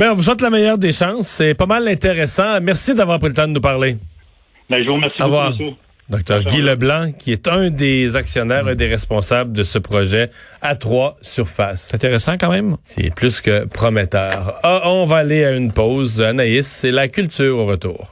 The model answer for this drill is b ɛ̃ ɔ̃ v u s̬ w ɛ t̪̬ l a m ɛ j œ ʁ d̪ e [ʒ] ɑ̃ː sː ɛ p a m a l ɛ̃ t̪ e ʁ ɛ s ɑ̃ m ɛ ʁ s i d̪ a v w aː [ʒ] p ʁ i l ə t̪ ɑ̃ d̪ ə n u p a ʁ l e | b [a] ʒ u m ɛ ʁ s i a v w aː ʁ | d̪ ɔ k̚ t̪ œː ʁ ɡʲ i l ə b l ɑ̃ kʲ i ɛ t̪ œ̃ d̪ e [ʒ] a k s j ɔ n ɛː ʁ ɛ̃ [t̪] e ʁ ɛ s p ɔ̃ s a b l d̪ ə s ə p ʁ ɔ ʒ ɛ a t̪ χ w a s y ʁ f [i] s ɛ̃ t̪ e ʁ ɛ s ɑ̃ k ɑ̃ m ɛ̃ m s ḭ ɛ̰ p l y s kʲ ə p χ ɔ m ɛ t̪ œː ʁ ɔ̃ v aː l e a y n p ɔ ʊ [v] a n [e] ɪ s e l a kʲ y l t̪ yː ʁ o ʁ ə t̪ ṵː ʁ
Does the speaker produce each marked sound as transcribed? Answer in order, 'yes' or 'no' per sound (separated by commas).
no, no, no, no, no, no, no, no